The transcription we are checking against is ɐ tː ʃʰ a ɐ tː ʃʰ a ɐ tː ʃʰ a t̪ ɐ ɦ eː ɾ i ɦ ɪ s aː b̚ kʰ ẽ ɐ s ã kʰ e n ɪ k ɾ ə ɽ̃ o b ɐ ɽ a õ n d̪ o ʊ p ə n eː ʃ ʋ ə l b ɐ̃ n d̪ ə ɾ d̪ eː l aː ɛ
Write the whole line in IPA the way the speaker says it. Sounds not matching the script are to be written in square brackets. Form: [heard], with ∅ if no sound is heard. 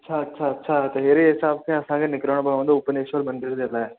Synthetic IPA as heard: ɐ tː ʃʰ a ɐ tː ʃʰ a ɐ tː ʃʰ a t̪ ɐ ɦ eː ɾ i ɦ ɪ s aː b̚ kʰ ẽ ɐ s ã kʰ e n ɪ k ɾ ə ɽ̃ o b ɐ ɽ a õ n d̪ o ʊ p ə n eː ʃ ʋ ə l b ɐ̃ n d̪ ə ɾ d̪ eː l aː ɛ